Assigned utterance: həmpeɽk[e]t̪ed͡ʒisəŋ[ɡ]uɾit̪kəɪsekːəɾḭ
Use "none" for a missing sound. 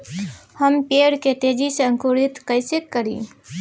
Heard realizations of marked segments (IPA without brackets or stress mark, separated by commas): e, k